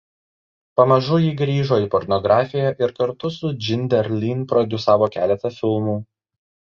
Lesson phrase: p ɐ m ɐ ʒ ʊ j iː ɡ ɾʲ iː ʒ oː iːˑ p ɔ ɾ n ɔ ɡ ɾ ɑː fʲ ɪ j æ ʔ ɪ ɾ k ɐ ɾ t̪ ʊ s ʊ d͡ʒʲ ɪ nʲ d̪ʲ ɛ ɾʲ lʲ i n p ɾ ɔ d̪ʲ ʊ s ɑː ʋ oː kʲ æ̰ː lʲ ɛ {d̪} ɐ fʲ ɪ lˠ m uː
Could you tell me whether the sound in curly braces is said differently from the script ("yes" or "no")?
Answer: yes